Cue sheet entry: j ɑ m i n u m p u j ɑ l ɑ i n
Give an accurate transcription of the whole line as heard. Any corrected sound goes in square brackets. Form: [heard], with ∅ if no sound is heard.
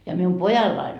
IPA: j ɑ m i [∅] u m p [o] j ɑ [lː] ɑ i n